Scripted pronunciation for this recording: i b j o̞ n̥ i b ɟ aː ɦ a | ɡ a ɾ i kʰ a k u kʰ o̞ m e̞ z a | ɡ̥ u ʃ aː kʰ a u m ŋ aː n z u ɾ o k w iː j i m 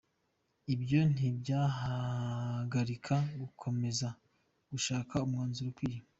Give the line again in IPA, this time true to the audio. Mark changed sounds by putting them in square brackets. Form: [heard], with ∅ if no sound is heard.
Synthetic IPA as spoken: i b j o̞ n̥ i b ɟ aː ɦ a | ɡ a ɾ i kʰ a [ɡ] u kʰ o̞ m e̞ z a | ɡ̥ u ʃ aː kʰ a u m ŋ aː n z u ɾ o k w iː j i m